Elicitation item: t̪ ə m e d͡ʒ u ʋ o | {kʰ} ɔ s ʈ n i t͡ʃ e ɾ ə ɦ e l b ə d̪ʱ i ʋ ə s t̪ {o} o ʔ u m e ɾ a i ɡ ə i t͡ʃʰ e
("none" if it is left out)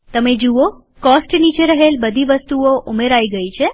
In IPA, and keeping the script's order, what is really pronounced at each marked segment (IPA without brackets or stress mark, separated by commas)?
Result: k, u